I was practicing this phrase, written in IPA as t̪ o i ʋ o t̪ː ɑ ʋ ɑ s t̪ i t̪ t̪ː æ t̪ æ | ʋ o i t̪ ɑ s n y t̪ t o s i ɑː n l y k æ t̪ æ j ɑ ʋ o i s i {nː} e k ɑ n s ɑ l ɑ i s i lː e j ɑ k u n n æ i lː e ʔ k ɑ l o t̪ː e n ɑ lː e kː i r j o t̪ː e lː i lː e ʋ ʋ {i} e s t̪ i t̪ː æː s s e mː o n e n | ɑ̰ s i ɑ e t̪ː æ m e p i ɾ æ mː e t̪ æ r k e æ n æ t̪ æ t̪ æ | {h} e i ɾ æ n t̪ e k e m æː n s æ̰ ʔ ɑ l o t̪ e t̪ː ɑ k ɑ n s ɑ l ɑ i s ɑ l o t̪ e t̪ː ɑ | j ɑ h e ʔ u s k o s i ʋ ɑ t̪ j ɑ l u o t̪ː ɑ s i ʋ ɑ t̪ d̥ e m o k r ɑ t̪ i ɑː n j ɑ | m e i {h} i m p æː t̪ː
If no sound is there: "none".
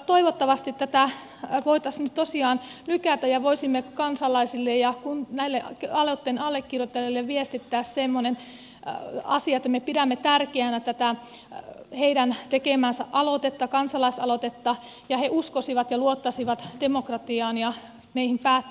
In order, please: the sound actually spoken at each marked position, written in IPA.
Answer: mː, i, h, h

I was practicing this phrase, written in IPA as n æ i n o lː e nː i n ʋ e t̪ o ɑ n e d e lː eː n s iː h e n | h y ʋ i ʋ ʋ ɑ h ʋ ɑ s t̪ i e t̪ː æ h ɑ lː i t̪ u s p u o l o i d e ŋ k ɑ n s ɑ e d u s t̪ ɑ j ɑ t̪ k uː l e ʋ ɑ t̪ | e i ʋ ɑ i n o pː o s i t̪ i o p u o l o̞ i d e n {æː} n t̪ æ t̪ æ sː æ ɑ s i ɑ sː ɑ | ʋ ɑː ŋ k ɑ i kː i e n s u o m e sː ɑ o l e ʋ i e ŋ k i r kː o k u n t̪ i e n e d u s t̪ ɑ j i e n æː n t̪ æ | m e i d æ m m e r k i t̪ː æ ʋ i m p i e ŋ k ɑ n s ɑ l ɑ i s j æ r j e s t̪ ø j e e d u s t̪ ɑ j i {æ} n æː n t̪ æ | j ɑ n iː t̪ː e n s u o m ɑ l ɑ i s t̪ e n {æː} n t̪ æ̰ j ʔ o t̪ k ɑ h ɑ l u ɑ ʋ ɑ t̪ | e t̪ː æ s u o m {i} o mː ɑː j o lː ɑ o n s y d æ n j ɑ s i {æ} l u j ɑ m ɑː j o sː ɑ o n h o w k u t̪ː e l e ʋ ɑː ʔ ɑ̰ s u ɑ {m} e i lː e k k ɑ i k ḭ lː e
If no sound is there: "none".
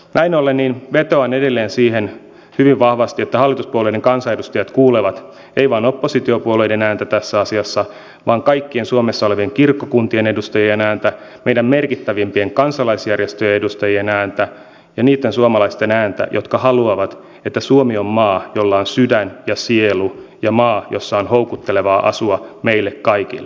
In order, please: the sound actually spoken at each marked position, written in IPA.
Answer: æː, e, æː, i, e, m

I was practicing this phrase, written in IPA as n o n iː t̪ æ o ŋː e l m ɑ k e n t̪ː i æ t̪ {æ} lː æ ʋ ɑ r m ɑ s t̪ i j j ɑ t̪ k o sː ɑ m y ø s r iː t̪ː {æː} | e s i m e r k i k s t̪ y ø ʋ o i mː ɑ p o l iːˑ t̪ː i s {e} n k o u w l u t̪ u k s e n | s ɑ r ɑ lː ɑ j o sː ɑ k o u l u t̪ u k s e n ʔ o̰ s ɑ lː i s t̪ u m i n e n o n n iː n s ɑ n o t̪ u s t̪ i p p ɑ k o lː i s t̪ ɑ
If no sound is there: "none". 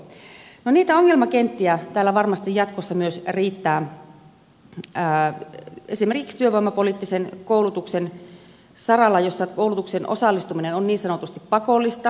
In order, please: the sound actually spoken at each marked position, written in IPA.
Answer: æː, æː, e

